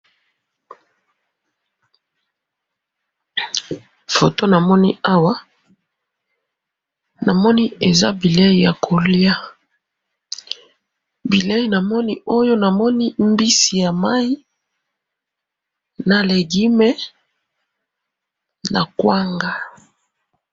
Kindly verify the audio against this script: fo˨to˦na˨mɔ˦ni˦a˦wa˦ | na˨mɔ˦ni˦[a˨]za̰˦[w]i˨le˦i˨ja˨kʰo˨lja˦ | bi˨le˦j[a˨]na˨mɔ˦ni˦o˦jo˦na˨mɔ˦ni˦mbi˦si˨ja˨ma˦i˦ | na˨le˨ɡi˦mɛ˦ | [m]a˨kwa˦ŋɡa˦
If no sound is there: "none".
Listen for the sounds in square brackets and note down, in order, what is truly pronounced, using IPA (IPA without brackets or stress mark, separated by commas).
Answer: e˨, b, i˨, n